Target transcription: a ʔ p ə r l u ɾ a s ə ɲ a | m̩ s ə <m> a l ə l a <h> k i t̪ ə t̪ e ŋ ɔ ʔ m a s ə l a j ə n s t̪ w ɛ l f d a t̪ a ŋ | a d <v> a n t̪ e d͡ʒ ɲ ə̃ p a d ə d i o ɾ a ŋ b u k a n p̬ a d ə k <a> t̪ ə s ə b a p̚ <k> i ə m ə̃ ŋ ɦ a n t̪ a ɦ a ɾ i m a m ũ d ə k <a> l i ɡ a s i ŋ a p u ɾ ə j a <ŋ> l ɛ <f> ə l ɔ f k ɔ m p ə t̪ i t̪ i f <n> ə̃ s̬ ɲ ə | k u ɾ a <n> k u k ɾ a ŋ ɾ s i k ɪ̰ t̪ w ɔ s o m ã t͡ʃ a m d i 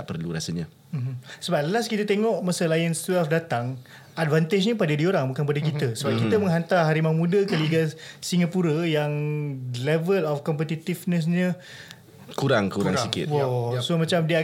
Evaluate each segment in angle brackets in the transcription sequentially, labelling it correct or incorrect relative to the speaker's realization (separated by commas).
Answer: incorrect, incorrect, correct, incorrect, correct, incorrect, correct, incorrect, correct, incorrect